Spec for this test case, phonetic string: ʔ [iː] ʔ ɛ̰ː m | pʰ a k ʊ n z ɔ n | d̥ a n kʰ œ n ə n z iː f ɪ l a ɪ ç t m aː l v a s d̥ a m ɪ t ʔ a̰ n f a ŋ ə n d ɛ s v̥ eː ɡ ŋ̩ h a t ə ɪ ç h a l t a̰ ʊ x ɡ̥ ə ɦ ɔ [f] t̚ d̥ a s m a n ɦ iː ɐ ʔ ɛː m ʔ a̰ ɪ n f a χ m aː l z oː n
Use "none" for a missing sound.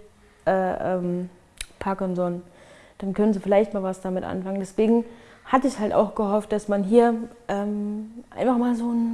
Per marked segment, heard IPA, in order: ɛː, f

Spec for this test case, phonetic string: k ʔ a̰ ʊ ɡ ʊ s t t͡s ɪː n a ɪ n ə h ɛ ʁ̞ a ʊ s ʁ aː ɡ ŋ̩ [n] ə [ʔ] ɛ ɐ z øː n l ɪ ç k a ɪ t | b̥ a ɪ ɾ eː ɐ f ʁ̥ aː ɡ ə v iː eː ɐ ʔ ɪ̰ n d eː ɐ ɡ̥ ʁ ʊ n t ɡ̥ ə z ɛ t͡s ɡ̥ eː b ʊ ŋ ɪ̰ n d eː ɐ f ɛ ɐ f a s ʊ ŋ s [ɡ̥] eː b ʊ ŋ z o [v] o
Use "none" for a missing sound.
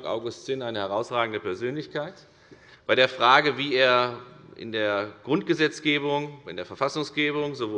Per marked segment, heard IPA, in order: d, p, ɡ̥, v

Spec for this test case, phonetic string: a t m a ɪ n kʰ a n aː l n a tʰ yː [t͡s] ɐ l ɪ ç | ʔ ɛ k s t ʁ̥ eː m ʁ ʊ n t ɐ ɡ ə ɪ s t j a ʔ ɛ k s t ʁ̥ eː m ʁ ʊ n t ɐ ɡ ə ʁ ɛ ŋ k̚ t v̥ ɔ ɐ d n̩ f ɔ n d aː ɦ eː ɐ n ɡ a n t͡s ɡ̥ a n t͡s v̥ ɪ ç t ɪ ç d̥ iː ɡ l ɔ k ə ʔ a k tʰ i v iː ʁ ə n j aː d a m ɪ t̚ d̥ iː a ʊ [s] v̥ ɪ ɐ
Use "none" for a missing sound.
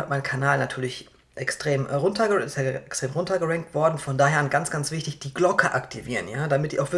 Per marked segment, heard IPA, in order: none, x

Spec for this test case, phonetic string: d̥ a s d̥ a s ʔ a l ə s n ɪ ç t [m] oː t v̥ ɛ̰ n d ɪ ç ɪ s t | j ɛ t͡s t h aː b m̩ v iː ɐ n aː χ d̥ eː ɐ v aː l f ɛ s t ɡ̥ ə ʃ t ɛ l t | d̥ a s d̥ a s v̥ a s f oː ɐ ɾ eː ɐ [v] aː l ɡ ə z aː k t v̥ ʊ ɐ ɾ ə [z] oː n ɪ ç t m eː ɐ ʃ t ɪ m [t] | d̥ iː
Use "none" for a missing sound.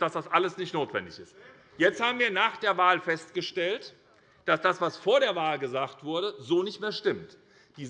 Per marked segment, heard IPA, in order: n, v, z, t

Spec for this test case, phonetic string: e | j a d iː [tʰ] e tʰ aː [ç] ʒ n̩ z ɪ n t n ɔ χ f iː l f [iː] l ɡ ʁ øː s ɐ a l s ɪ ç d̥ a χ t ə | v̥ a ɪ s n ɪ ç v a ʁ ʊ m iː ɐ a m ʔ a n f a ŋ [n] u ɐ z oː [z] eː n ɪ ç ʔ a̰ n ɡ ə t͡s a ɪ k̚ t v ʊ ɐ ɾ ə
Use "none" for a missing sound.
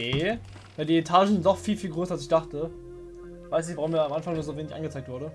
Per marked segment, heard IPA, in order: none, none, iː, n, v

